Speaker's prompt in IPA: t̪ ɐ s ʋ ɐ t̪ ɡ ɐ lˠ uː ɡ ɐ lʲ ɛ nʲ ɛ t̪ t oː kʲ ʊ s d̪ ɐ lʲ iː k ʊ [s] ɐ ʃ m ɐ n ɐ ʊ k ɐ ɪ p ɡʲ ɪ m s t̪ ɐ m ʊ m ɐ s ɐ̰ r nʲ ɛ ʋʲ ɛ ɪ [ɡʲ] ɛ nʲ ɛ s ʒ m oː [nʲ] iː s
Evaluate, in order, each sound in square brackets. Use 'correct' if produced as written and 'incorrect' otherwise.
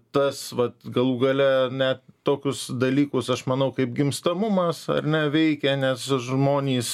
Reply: correct, incorrect, correct

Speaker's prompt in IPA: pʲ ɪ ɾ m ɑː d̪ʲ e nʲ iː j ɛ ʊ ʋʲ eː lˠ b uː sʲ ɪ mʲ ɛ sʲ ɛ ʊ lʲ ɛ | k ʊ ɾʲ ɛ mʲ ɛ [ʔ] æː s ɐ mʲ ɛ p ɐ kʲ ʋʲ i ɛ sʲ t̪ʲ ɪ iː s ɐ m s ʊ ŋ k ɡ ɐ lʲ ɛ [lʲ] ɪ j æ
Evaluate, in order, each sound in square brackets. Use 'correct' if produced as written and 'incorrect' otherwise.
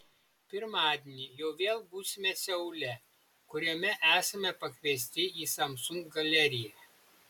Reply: correct, incorrect

